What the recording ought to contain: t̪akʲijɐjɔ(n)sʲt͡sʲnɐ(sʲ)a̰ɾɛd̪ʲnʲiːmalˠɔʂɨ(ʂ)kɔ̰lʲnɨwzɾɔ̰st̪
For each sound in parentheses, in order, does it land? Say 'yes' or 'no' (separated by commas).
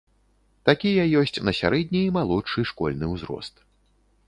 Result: no, yes, yes